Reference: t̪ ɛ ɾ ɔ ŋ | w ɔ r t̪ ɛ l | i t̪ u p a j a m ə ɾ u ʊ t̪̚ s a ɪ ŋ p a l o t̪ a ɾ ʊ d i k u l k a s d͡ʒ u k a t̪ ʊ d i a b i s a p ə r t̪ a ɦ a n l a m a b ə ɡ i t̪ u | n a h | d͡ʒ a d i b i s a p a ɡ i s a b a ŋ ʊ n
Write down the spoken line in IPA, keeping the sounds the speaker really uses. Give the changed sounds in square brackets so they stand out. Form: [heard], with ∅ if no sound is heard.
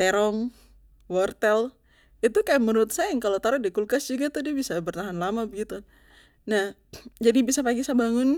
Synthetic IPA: t̪ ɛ ɾ ɔ ŋ | w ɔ r t̪ ɛ l | i t̪ u [k] a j a m ə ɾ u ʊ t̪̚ s a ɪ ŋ [k] a l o t̪ a ɾ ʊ d i k u l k a s d͡ʒ u [ɡ] a t̪ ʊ d i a b i s a [b] ə r t̪ a ɦ a n l a m a b ə ɡ i t̪ u | n a h | d͡ʒ a d i b i s a p a ɡ i s a b a ŋ ʊ n